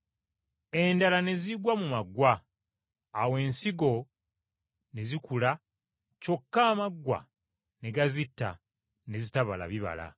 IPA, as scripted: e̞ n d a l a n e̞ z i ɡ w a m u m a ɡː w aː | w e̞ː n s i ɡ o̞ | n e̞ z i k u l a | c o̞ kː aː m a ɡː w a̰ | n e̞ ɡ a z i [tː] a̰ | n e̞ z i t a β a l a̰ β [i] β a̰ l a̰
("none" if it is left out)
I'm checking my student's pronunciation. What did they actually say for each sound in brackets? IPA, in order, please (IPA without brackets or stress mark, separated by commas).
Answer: tː, i